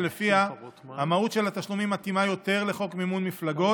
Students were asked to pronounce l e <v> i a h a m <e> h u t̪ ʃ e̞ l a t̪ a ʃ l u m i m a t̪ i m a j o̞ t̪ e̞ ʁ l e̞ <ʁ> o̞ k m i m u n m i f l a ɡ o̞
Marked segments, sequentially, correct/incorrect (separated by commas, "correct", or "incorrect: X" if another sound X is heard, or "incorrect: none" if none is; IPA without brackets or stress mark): incorrect: f, incorrect: a, incorrect: χ